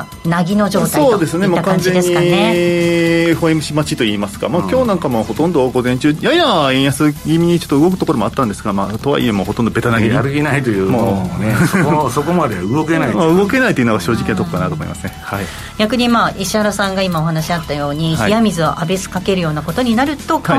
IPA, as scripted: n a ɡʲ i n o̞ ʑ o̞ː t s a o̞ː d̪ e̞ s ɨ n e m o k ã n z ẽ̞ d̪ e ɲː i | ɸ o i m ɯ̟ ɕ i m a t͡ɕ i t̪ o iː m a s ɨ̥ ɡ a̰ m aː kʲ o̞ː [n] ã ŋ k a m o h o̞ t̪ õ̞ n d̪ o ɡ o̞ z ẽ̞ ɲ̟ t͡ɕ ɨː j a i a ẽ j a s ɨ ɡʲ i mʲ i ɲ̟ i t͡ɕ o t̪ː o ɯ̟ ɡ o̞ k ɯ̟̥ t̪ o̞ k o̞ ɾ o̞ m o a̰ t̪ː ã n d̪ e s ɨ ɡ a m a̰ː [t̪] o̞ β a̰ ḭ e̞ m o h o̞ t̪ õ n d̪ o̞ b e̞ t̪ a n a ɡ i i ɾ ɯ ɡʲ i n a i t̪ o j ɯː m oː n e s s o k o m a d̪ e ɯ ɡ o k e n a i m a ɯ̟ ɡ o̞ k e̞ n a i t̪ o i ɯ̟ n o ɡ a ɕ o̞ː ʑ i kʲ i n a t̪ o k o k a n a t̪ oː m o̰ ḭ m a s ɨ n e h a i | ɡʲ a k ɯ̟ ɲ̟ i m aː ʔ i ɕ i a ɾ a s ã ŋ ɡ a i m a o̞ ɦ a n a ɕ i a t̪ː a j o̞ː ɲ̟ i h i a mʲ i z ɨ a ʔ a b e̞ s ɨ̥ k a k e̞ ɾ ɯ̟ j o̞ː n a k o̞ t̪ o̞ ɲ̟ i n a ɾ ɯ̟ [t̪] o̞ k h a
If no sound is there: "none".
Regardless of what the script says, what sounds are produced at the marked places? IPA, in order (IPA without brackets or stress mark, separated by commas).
n, t̪, t̪